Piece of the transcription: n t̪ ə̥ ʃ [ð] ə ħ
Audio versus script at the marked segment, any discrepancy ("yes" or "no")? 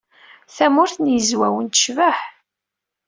yes